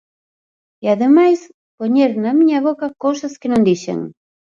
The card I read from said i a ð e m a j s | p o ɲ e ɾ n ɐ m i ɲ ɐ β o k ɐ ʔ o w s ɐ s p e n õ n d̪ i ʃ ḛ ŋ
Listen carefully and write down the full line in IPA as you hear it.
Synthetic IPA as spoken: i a ð e m a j s | p o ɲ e ɾ n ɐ m i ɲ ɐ β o k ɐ k o w s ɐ s k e n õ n d̪ i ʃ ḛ ŋ